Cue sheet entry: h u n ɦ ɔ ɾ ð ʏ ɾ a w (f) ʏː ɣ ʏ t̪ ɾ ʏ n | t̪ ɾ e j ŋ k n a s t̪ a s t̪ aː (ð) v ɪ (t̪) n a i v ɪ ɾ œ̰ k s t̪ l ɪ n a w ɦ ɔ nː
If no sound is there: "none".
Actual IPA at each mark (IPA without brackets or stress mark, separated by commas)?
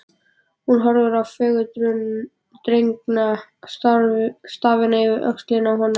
f, none, none